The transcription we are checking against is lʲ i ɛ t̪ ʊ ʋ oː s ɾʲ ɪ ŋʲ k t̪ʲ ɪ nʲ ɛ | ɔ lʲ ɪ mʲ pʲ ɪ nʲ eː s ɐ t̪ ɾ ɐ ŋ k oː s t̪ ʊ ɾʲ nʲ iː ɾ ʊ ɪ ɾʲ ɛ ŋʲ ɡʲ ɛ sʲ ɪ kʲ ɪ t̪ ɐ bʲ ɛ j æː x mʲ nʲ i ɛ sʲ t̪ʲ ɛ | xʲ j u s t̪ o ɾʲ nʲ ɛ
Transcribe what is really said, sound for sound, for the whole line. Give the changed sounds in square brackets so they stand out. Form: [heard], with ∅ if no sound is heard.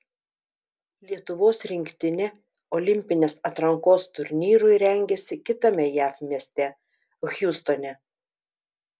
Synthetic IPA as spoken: lʲ i ɛ t̪ ʊ ʋ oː s ɾʲ ɪ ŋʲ k t̪ʲ ɪ nʲ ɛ | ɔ lʲ ɪ mʲ pʲ ɪ nʲ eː s ɐ t̪ ɾ ɐ ŋ k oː s t̪ ʊ ɾʲ nʲ iː ɾ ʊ ɪ ɾʲ ɛ ŋʲ ɡʲ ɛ sʲ ɪ kʲ ɪ t̪ ɐ [mʲ] ɛ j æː [f] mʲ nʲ i ɛ sʲ t̪ʲ ɛ | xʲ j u s t̪ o [∅] nʲ ɛ